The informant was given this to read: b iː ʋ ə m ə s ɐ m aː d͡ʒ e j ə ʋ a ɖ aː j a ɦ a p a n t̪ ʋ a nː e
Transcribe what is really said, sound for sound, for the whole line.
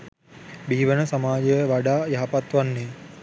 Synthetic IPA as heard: b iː ʋ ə n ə s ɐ m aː d͡ʒ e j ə ʋ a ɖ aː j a ɦ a p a t̪ ʋ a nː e